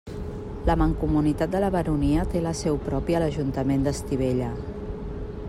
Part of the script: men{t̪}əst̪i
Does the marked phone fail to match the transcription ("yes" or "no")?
yes